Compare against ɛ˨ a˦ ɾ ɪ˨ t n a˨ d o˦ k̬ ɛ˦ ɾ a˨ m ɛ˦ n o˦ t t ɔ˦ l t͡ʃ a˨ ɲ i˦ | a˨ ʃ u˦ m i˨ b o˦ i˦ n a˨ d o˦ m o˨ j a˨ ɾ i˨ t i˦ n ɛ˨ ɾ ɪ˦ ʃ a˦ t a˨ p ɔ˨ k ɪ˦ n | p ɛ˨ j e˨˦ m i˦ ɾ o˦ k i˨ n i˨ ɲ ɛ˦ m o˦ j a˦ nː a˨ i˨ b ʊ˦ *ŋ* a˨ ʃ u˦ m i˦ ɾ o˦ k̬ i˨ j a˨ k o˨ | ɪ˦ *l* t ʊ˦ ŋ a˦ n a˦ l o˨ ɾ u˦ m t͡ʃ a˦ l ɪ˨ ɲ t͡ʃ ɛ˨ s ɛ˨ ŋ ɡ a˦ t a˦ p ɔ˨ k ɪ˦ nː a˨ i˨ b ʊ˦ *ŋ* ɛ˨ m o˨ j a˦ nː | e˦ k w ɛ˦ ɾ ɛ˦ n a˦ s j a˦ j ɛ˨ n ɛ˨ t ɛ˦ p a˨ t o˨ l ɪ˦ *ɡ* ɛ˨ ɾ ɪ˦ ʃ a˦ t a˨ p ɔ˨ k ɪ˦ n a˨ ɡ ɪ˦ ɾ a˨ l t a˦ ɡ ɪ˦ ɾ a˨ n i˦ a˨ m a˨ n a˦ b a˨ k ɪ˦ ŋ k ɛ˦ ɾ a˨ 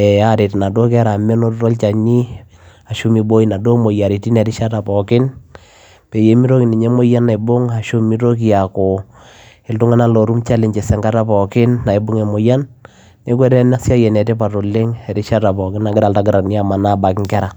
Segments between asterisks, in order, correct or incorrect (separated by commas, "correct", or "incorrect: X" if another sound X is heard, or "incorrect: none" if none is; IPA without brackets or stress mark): correct, correct, correct, incorrect: ŋ